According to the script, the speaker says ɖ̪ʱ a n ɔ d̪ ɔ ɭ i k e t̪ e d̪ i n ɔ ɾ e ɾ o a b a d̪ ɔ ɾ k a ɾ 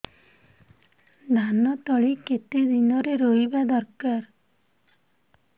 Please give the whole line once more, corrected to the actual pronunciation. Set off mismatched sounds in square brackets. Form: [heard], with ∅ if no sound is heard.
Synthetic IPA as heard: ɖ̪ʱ a n ɔ [t̪] ɔ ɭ i k e t̪ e d̪ i n ɔ ɾ e ɾ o [i] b a d̪ ɔ ɾ k a ɾ

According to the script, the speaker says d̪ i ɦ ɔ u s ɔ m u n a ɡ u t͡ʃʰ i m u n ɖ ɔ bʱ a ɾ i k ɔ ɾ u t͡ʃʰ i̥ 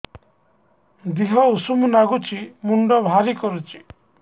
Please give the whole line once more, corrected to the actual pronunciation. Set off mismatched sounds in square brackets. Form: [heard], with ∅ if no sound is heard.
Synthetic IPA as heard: d̪ i ɦ ɔ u s [u] m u n a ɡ u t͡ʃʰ i m u [ɳ] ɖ ɔ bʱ a ɾ i k ɔ ɾ u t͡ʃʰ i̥

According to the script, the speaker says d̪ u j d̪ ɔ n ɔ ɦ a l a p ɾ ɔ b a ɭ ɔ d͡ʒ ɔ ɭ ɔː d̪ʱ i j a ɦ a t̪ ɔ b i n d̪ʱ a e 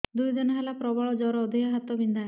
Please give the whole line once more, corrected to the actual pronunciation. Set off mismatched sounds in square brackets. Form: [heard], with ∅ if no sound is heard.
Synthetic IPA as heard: d̪ u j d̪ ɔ n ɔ ɦ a l a p ɾ ɔ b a ɭ ɔ d͡ʒ ɔ [ɾ] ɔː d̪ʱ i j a ɦ a t̪ ɔ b i n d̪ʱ a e

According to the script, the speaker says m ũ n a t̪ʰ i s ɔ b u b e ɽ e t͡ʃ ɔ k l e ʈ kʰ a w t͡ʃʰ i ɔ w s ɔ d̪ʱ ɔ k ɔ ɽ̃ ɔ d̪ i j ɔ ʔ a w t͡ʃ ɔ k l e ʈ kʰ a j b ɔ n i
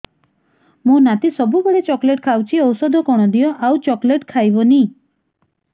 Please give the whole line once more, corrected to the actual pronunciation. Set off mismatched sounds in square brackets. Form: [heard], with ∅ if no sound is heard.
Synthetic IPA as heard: m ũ n a [t̪] i s ɔ b u b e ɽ e t͡ʃ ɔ k l e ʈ kʰ a w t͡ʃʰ i ɔ w s ɔ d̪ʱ ɔ k ɔ ɽ̃ ɔ d̪ i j ɔ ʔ a w t͡ʃ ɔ k l e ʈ kʰ a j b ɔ n i

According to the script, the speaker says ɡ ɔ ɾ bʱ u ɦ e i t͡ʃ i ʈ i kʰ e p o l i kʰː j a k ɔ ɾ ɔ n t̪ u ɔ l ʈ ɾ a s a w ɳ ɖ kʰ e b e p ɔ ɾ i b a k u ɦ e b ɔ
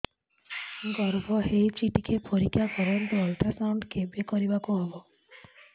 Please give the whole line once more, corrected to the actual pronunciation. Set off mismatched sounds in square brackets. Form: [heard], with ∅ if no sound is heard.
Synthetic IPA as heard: ɡ ɔ ɾ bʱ [ɔ] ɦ e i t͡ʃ i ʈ i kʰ e p o [ɾ] i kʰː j a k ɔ ɾ ɔ n t̪ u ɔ l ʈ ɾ a s a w ɳ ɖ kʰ e b e [k] ɔ ɾ i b a k u ɦ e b ɔ

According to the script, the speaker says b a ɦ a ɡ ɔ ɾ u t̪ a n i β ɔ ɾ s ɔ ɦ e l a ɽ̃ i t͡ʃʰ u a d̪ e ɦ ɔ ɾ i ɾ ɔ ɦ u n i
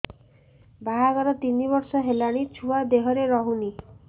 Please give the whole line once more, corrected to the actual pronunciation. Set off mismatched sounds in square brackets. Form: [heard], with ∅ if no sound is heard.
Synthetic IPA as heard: b a ɦ a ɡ ɔ ɾ [ɔ] t̪ [i] n i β ɔ ɾ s ɔ ɦ e l a ɽ̃ i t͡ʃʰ u a d̪ e ɦ ɔ ɾ [e] ɾ ɔ ɦ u n i

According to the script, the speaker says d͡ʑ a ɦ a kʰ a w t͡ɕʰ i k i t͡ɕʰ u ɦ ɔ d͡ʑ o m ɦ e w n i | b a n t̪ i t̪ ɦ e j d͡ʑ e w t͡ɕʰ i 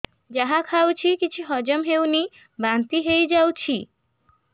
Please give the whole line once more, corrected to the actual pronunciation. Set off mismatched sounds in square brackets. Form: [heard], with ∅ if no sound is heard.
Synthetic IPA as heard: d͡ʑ a ɦ a kʰ a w t͡ɕʰ i k i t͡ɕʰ u ɦ ɔ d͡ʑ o m ɦ e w n i | b a n t̪ i [∅] ɦ e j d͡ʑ [a] w t͡ɕʰ i

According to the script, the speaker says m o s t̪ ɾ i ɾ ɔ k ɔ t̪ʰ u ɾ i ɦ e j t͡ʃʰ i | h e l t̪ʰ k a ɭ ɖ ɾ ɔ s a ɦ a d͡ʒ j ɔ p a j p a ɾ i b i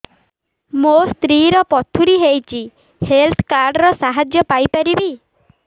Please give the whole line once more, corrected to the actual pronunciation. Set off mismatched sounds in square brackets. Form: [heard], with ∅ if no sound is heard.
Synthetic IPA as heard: m o s t̪ ɾ i ɾ ɔ [p] ɔ t̪ʰ u ɾ i ɦ e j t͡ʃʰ i | h e l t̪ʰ k a [ɾ] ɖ ɾ ɔ s a ɦ a d͡ʒ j ɔ p a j p a ɾ i b i

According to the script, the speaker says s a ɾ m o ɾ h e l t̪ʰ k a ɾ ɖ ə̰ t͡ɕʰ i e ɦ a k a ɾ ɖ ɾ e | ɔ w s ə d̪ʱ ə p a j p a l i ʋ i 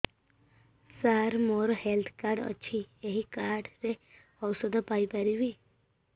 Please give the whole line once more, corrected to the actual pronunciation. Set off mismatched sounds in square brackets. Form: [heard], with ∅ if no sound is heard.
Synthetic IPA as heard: s a ɾ m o ɾ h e l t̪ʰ k a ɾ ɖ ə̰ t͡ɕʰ i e ɦ [i] k a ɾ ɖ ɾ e | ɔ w s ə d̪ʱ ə p a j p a [ɾ] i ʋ i

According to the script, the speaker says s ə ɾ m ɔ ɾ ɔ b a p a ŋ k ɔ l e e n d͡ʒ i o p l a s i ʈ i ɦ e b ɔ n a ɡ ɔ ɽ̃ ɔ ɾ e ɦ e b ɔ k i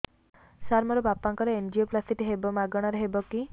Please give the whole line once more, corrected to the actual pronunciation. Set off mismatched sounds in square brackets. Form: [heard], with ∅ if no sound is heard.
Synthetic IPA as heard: s [a] ɾ m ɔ ɾ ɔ b a p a ŋ k ɔ [ɾ] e e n d͡ʒ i o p l a s i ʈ i ɦ e b ɔ [m] a ɡ ɔ ɽ̃ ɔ ɾ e ɦ e b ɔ k i

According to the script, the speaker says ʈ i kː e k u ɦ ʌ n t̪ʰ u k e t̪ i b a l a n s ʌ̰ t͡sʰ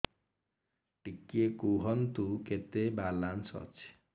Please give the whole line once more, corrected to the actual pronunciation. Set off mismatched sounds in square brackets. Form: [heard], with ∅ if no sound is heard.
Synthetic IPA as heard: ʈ i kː e k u ɦ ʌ n [t̪] u k e t̪ [e] b a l a n s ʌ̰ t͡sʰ

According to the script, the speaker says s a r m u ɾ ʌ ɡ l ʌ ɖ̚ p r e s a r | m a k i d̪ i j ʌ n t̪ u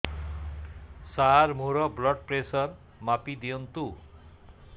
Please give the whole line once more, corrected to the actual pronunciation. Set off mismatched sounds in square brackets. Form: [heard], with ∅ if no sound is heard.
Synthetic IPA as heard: s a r m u ɾ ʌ [b] l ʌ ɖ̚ p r e s [ʌ] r | m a [p] i d̪ i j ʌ n t̪ u

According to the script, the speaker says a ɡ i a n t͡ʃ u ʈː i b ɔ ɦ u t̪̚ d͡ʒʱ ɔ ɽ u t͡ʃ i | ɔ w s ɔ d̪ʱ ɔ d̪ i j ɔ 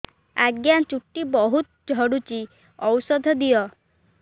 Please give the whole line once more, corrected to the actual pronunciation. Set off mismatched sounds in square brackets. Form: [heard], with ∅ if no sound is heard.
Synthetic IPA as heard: a ɡ [j] a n t͡ʃ u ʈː i b ɔ ɦ u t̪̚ d͡ʒʱ ɔ ɽ u t͡ʃ i | ɔ w s ɔ d̪ʱ ɔ d̪ i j ɔ

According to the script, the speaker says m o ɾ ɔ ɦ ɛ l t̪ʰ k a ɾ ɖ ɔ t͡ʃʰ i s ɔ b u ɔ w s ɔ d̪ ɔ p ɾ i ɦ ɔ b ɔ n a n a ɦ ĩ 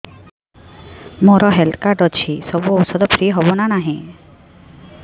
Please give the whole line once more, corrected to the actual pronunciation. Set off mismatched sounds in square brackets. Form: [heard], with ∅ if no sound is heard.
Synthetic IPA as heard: m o ɾ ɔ ɦ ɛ l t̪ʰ k a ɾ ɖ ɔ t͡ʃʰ i s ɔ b u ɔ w s ɔ d̪ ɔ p ɾ i ɦ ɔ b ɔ n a n a ɦ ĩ

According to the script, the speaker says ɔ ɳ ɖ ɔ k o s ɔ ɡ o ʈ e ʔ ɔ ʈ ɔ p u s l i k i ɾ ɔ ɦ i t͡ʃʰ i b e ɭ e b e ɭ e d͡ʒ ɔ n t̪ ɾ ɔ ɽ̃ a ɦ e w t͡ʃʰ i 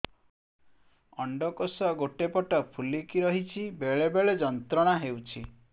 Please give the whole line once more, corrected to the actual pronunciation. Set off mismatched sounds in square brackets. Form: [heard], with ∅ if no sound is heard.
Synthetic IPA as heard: ɔ ɳ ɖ ɔ k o s ɔ ɡ o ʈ e [p] ɔ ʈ ɔ [pʰ] u [∅] l i k i ɾ ɔ ɦ i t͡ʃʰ i b e ɭ e b e ɭ e d͡ʒ ɔ n t̪ ɾ ɔ ɽ̃ a ɦ e w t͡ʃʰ i

